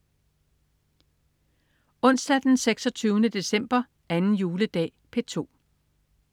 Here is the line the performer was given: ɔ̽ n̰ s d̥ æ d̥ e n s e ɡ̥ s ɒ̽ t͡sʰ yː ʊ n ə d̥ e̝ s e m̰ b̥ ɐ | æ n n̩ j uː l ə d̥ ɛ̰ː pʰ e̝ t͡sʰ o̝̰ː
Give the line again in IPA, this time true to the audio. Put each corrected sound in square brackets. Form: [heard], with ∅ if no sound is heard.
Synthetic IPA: ɔ̽ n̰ s d̥ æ d̥ e n s e ɡ̥ s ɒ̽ t͡sʰ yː ʊ n ə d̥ e̝ s e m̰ b̥ ɐ | æ n n̩ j uː l ə d̥ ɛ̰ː pʰ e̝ t͡sʰ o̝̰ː

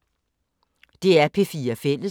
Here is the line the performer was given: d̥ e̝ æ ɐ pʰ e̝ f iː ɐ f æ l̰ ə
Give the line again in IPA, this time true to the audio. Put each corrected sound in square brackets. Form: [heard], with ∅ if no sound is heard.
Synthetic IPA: d̥ e̝ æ ɐ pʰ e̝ f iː ɐ f [e] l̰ ə

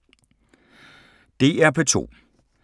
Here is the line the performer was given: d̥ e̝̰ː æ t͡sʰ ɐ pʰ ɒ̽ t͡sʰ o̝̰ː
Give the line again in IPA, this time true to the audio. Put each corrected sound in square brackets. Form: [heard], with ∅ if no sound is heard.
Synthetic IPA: d̥ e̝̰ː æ [∅] ɐ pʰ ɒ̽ t͡sʰ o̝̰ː

